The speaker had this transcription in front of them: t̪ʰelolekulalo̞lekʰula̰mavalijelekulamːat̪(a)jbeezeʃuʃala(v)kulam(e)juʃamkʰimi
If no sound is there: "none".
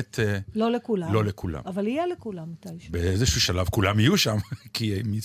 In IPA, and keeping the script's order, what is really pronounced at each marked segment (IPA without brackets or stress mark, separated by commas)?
a, v, i